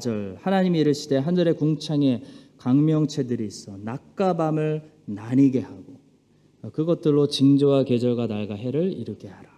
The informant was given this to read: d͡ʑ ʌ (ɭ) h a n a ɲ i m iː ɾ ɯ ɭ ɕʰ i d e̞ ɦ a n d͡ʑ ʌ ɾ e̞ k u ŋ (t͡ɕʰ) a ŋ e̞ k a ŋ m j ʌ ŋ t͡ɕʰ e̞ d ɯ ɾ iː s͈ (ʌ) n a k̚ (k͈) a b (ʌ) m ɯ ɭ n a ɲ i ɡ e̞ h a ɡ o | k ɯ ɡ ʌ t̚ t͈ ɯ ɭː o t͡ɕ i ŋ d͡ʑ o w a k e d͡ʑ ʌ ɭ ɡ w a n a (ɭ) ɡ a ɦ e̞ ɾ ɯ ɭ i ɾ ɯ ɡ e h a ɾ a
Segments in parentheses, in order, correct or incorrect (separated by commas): correct, correct, correct, correct, incorrect, correct